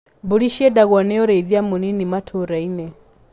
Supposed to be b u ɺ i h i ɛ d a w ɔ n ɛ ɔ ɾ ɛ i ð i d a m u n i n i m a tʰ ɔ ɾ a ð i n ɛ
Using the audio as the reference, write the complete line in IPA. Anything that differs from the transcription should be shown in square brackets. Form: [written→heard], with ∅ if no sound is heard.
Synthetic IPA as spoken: b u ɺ i [h→ʃ] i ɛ d a [w→ɣ] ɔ n ɛ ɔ ɾ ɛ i ð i [d→∅] a m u n i n i m a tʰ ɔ ɾ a [ð→∅] i n ɛ